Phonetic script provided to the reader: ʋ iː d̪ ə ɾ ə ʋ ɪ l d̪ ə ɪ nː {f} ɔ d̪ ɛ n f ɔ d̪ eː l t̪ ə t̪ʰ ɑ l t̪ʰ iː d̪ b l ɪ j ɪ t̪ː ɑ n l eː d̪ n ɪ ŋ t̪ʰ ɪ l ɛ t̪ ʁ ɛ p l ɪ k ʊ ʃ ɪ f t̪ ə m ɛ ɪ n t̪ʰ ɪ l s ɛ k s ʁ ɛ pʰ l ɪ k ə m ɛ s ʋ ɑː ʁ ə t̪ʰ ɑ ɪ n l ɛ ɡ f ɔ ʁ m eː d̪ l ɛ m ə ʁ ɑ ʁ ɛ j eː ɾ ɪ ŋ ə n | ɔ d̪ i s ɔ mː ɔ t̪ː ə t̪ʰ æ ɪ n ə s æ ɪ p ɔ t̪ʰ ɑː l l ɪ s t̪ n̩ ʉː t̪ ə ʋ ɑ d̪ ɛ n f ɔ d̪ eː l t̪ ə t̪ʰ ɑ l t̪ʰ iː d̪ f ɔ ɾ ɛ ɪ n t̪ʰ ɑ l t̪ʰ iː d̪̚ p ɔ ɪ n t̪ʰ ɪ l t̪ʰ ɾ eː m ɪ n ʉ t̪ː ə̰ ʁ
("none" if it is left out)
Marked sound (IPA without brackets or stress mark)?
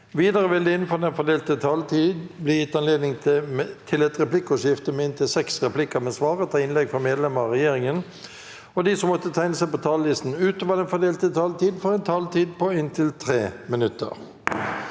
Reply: f